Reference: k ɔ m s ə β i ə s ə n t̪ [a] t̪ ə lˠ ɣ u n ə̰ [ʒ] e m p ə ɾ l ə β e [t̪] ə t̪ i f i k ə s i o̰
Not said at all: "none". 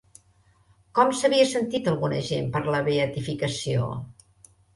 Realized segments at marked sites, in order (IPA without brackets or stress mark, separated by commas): i, ʒ, none